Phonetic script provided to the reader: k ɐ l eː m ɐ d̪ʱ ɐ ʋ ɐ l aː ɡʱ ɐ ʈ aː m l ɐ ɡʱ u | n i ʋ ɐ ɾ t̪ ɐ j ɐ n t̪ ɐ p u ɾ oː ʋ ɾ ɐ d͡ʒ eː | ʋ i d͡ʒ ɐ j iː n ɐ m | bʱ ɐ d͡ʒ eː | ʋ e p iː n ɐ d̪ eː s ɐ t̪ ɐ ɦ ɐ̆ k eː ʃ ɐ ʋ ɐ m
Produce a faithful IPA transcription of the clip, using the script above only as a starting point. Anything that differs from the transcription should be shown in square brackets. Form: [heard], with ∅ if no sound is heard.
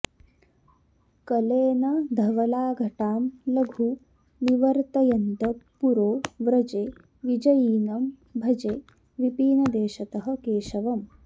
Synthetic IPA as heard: k ɐ l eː [n] ɐ d̪ʱ ɐ ʋ ɐ l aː ɡʱ ɐ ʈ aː m l ɐ ɡʱ u | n i ʋ ɐ ɾ t̪ ɐ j ɐ n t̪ ɐ p u ɾ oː ʋ ɾ ɐ d͡ʒ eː | ʋ i d͡ʒ ɐ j iː n ɐ m | bʱ ɐ d͡ʒ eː | ʋ [i] p iː n ɐ d̪ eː [ʃ] ɐ t̪ ɐ ɦ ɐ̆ k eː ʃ ɐ ʋ ɐ m